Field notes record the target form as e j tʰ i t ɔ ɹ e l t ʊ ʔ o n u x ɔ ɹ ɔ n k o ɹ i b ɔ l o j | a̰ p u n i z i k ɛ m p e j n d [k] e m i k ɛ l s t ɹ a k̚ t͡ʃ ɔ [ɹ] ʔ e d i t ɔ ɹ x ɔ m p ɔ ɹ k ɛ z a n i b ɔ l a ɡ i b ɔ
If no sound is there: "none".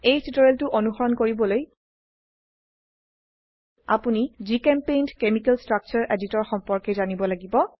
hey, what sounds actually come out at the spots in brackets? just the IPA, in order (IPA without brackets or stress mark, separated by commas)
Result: k, ɹ